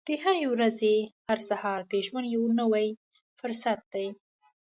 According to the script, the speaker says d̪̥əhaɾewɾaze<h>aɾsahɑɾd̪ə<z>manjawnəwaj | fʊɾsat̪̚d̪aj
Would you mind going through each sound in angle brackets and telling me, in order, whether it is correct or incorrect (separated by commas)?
correct, incorrect